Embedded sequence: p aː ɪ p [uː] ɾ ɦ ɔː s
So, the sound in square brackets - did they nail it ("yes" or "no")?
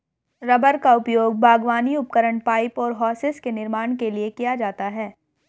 no